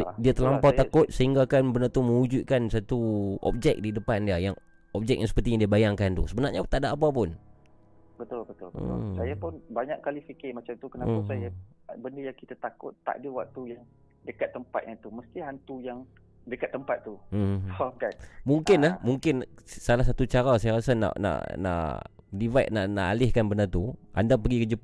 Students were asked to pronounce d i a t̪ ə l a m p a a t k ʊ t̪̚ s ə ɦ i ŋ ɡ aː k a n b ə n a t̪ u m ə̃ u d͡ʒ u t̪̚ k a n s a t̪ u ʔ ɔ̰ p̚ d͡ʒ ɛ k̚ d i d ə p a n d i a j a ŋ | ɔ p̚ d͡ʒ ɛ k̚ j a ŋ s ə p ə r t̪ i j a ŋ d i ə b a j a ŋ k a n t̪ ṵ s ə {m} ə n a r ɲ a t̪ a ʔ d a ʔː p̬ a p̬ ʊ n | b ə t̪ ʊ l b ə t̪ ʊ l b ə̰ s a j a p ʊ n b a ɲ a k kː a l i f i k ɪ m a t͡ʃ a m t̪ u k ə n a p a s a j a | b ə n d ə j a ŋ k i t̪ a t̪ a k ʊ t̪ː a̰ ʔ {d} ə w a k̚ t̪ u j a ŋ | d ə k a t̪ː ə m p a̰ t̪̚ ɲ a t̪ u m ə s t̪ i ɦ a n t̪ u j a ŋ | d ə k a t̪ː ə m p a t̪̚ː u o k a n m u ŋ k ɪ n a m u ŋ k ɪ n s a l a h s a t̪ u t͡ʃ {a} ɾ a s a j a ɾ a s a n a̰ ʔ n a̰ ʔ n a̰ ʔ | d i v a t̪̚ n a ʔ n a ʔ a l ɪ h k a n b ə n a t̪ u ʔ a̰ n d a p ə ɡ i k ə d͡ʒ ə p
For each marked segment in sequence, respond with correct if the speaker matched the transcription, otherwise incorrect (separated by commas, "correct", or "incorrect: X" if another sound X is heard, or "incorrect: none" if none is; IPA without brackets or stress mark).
incorrect: b, correct, correct